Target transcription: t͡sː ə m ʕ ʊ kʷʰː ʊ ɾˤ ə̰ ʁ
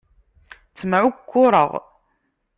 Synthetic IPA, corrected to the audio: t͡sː ə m ʕ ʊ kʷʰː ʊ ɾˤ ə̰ ʁ